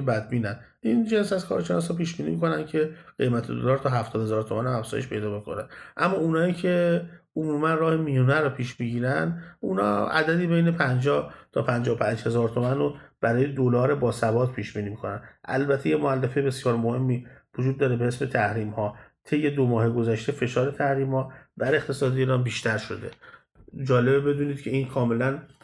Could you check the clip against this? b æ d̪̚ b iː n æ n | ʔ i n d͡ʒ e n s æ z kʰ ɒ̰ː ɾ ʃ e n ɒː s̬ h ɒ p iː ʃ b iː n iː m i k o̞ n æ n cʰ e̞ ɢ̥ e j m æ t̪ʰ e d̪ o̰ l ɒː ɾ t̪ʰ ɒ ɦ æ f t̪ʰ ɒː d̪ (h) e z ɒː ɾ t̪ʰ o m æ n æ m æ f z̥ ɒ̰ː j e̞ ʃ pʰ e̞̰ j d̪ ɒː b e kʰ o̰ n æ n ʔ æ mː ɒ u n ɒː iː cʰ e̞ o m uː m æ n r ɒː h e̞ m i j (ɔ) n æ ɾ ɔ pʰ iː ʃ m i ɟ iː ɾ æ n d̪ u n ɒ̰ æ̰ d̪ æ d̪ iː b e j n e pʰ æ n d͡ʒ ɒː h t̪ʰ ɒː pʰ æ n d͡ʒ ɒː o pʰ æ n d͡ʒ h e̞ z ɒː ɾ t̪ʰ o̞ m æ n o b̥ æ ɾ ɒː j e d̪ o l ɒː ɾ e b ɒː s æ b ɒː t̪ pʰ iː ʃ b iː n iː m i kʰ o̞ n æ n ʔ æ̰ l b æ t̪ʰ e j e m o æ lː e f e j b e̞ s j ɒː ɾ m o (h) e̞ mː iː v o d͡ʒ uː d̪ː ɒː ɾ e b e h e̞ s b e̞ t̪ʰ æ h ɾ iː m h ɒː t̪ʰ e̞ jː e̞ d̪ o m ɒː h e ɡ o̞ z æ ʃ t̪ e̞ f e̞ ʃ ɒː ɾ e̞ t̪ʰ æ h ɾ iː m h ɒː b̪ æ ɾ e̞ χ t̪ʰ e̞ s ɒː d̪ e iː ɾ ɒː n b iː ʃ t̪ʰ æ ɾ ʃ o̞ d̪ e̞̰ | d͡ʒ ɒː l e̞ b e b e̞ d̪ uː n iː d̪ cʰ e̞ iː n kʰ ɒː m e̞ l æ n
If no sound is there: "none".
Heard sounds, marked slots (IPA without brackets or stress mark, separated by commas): h, u, h